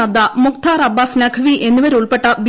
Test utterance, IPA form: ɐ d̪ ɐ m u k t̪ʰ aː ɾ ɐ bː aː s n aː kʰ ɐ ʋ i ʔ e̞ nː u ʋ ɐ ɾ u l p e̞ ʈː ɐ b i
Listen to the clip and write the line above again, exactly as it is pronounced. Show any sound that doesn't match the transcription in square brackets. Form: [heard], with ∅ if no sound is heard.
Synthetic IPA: ɐ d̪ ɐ m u k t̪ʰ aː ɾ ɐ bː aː s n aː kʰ ɐ ʋ i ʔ e̞ nː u ʋ ɐ ɾ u [ɭ] p e̞ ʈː ɐ b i